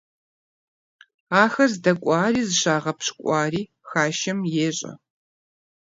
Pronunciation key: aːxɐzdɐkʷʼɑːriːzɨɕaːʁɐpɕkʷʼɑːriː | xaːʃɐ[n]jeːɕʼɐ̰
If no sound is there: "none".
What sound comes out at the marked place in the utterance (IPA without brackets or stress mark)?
m